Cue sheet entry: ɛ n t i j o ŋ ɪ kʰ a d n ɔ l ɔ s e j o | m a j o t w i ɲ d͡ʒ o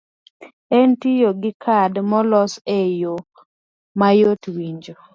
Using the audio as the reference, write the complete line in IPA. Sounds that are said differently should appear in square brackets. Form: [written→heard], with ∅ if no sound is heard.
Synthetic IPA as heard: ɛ n t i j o [ŋ→ɡ] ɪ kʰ a d [n→m] ɔ l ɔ s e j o | m a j o t w i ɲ d͡ʒ o